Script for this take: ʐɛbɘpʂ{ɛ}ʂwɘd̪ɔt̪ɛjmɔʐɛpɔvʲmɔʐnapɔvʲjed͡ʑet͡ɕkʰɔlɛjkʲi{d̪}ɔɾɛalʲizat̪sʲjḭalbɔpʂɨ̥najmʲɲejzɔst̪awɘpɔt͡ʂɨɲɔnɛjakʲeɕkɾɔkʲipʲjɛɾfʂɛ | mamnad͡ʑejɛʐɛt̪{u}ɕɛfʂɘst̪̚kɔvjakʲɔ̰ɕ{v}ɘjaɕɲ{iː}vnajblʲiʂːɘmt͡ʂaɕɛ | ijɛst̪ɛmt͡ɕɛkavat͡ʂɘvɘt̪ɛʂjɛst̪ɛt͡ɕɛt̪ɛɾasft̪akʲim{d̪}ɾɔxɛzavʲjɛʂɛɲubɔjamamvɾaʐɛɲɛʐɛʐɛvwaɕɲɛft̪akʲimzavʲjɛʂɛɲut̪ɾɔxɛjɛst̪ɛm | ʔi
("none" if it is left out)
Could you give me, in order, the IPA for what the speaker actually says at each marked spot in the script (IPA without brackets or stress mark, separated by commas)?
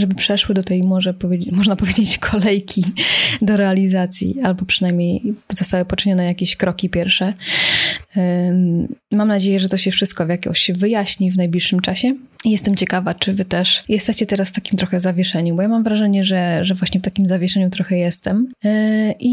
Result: ɛ, d̪, ɔ, v, i, t̪